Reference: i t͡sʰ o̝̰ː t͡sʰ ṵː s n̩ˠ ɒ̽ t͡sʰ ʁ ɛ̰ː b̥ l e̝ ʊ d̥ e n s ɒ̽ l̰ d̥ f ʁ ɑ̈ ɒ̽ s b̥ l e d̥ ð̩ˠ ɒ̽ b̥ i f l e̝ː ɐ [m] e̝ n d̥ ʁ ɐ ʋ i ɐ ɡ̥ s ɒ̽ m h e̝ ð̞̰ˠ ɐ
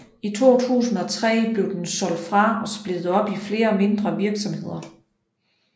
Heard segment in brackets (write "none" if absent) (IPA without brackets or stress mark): m